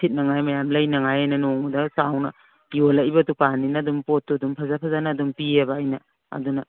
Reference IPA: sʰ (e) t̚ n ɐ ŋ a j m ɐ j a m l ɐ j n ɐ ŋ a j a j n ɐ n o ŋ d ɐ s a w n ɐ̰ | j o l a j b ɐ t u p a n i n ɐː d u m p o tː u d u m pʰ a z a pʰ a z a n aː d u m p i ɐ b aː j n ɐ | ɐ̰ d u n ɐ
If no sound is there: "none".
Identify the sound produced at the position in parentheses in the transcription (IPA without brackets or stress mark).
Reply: i